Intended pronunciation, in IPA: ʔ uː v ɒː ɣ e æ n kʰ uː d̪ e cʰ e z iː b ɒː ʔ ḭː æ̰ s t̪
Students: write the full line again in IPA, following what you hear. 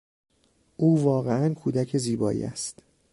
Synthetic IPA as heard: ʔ uː v ɒː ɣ e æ n kʰ uː d̪ æ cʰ e z iː b ɒː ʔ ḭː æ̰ s t̪